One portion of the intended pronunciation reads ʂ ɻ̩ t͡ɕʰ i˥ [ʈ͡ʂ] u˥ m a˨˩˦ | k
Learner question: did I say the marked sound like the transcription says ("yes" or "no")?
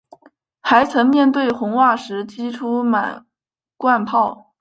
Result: no